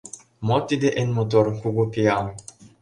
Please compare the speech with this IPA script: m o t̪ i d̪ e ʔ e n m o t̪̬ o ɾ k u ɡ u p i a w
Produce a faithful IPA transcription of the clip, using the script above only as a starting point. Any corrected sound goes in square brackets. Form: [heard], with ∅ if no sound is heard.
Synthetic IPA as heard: m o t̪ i d̪ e ʔ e n m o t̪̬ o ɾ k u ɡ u p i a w